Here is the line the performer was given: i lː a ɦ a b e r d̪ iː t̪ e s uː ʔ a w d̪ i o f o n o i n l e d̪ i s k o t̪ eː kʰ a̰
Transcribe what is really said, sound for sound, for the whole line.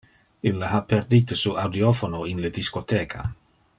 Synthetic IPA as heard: i lː a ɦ a p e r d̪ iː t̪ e s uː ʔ a w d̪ i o f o n o i n l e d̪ i s k o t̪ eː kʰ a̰

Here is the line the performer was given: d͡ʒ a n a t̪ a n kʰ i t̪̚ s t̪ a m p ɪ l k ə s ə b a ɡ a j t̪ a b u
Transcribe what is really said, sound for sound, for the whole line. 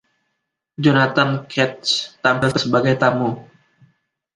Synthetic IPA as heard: d͡ʒ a n a t̪ a n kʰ ɛ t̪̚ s t̪ a m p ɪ l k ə s ə b a ɡ a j t̪ a m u

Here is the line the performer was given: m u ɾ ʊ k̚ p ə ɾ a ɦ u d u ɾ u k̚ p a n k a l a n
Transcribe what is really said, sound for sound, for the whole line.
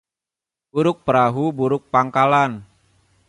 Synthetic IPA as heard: b u ɾ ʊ k̚ p ə ɾ a ɦ u b u ɾ ʊ k̚ p a ŋ k a l a n

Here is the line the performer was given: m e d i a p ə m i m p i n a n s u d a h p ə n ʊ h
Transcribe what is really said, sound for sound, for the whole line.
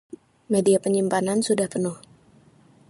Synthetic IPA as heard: m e d i a p ə ɲ i m p a n a n s u d a h p ə n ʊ h

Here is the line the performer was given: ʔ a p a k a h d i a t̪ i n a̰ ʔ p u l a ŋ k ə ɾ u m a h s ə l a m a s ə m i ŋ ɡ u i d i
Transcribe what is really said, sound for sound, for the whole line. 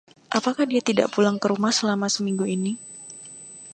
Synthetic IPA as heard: ʔ a p a k a h d i a t̪ i d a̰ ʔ p u l a ŋ k ə ɾ u m a h s ə l a m a s ə m i ŋ ɡ u i n i

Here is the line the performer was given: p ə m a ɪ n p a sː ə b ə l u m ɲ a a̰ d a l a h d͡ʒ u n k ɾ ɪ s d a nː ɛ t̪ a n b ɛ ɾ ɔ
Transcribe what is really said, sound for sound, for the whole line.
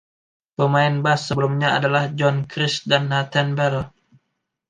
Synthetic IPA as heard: p ə m a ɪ n b a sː ə b ə l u m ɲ a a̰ d a l a h d͡ʒ ɔ n k ɾ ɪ s d a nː a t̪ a n b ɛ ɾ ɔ

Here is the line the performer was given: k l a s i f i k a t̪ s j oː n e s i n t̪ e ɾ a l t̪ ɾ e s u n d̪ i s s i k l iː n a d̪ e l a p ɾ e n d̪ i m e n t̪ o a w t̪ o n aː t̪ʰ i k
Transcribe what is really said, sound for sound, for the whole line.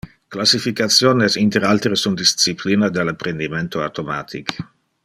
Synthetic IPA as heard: k l a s i f i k a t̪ s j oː n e s i n t̪ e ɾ a l t̪ ɾ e s u n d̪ i s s i p l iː n a d̪ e l a p ɾ e n d̪ i m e n t̪ o a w t̪ o m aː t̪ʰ i k

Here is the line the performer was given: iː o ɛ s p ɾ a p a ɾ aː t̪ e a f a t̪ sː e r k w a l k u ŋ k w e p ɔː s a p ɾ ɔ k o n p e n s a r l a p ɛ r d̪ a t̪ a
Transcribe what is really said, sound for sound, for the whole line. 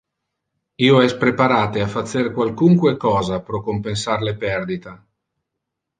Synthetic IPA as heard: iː o ɛ s p ɾ e p a ɾ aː t̪ e a f a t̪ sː e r k w a l k u ŋ k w e k ɔː z a p ɾ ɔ k o m p e n s a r l e p ɛ r d̪ i t̪ a

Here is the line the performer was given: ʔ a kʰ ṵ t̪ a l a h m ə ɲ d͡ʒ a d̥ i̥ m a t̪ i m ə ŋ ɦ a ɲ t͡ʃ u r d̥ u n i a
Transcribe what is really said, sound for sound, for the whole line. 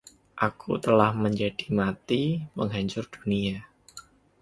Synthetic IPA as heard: ʔ a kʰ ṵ t̪ ə l a h m ə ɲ d͡ʒ a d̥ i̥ m a t̪ i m ə ŋ ɦ a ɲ t͡ʃ ʊ r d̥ u n i a

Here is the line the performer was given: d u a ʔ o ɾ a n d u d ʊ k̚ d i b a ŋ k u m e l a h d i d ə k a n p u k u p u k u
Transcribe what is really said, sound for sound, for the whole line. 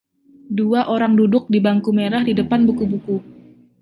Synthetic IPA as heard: d u a ʔ o ɾ a ŋ d u d ʊ k̚ d i b a ŋ k u m e ɾ a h d i d ə p a n b u k u b u k u

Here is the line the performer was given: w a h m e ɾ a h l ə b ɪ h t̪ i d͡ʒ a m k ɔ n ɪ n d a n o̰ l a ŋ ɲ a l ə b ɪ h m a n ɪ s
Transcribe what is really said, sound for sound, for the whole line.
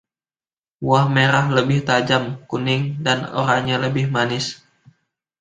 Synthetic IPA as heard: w a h m e ɾ a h l ə b ɪ h t̪ a d͡ʒ a m k u n ɪ ŋ d a n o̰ ɾ a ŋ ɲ a l ə b ɪ h m a n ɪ s

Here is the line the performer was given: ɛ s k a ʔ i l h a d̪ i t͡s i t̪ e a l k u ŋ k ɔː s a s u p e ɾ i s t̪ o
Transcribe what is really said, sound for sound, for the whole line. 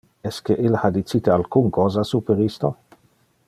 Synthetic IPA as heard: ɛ s k e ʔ i l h a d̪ i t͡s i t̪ e a l k u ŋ k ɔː z a s u p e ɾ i s t̪ o

